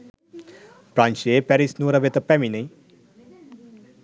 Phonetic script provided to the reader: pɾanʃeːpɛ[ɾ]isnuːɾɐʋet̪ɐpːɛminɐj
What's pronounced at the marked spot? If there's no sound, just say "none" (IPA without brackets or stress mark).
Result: ɾ